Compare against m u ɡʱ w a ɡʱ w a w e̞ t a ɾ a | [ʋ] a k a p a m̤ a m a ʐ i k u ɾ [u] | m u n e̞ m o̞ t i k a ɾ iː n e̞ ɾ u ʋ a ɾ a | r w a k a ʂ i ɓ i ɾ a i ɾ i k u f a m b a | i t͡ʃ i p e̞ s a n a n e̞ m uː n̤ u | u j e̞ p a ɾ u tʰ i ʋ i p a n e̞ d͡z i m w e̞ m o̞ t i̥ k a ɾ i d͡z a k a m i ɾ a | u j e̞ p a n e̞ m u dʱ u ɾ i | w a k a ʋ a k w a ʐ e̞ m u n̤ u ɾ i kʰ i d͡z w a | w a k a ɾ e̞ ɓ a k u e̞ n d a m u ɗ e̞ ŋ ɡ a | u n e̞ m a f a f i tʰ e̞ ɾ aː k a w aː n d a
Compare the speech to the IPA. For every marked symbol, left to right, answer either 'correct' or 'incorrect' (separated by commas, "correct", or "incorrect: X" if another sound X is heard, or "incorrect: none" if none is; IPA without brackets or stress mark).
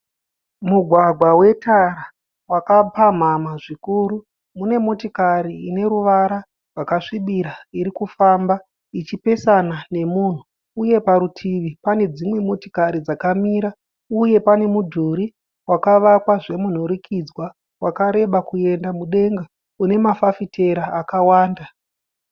incorrect: w, correct